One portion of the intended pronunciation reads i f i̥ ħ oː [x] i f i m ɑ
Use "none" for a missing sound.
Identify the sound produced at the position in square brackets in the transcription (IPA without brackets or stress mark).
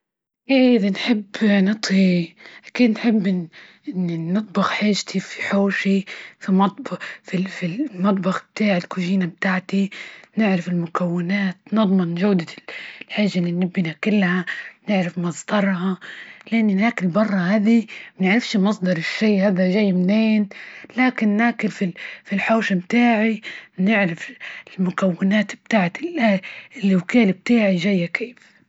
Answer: ʃ